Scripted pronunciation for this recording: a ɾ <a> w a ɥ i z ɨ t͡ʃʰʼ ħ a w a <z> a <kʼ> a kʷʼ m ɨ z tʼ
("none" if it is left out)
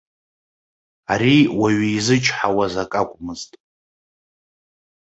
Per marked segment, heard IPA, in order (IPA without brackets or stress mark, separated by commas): i, z, kʼ